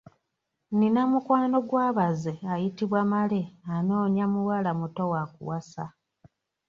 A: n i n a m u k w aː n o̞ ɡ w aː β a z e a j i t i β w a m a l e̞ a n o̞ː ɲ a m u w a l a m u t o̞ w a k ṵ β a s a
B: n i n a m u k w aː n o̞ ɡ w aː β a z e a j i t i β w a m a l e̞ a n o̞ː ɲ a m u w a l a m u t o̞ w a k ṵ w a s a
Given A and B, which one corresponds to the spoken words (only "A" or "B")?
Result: B